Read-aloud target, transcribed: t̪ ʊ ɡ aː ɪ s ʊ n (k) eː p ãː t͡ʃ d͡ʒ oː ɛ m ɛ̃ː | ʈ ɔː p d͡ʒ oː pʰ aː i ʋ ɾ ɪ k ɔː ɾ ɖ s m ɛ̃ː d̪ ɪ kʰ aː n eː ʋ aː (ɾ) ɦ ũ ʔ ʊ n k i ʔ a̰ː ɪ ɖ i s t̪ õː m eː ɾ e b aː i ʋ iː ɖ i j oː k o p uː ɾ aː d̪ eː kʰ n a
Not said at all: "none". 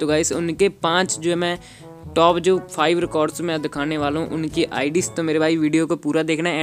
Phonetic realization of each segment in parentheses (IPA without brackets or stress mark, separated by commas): k, l